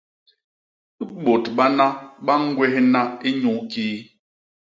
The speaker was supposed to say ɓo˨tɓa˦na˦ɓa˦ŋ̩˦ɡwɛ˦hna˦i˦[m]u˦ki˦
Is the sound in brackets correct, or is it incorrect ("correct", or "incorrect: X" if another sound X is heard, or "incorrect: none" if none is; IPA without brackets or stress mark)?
incorrect: ɲ